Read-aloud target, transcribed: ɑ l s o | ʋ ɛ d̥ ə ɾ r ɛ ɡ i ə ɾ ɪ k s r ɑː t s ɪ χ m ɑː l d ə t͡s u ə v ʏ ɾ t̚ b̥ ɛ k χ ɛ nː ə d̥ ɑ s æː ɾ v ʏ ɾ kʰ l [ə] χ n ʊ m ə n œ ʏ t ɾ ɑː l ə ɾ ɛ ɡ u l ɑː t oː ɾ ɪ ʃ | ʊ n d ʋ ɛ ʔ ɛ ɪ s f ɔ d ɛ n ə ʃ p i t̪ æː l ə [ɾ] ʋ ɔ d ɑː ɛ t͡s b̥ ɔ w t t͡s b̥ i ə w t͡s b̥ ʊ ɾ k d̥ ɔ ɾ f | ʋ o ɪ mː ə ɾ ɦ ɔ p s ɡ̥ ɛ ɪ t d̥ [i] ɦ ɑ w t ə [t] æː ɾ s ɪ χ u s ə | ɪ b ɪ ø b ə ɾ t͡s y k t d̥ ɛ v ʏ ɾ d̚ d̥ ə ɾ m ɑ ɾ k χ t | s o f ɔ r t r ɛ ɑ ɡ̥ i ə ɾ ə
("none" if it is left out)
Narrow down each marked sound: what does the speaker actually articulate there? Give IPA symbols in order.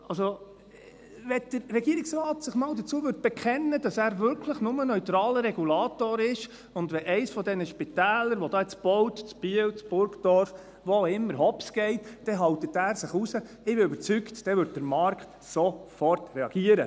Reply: ə, ɾ, ɛ, t

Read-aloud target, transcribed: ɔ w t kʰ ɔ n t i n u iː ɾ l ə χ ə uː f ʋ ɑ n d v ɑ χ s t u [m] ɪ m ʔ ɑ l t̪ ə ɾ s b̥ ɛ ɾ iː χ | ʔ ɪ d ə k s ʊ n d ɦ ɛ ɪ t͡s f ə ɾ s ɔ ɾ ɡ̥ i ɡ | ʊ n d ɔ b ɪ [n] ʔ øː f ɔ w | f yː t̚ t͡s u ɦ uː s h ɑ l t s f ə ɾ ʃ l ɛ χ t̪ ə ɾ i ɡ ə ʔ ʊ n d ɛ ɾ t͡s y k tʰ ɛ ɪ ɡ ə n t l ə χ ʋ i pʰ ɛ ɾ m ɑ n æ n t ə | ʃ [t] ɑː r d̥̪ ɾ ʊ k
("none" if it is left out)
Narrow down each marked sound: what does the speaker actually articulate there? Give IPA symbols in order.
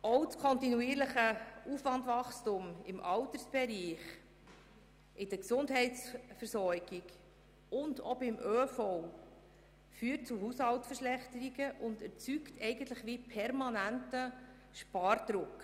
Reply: m, m, p

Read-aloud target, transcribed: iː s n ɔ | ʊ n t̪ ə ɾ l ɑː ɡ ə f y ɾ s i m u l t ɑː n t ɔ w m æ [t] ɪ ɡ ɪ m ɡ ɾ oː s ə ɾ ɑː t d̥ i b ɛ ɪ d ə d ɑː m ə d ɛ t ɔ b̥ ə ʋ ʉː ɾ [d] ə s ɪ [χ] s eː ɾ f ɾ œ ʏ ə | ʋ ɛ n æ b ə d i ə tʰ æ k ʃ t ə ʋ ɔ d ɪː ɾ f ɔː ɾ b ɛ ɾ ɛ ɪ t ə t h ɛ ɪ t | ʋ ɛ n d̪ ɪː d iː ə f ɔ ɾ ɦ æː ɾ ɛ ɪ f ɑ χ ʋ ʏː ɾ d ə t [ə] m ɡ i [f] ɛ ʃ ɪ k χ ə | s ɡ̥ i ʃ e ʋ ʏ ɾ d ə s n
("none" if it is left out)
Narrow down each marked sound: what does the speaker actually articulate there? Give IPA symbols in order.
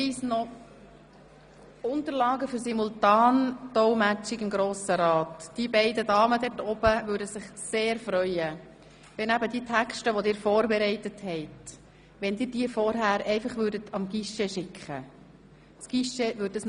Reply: t͡ʃ, d, χ, ɑ, ʃ

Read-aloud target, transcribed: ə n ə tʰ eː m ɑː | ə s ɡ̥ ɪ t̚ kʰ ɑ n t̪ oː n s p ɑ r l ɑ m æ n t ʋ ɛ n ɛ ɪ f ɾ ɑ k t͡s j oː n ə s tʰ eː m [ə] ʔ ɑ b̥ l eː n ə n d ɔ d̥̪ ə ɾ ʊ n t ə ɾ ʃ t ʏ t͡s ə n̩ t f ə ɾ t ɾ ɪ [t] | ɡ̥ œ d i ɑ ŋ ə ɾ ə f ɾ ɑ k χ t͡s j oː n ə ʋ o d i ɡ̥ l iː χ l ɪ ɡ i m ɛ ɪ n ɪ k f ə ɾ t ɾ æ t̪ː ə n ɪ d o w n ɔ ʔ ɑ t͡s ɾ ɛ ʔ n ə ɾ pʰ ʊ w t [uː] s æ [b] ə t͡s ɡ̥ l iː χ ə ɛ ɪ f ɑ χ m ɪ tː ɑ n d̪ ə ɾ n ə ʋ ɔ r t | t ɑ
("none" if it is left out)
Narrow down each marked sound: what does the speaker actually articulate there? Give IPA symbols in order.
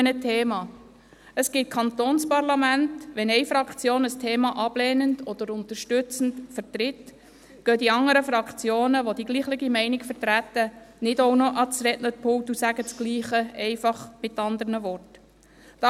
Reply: ɑ, t, u, ɡ

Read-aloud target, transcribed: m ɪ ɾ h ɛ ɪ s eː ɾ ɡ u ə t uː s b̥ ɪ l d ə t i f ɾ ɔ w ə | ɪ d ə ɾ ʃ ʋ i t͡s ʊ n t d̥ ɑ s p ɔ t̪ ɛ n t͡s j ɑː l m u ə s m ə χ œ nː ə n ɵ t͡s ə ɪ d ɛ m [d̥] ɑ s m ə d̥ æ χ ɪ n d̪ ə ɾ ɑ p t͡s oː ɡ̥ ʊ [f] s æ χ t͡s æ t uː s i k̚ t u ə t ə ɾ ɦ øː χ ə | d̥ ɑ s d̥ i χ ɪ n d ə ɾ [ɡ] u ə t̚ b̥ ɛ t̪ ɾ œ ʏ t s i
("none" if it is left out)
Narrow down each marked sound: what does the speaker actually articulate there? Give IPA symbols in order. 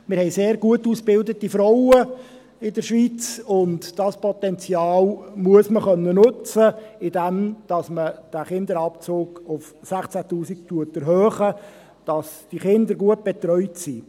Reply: d̥, f, ɡ

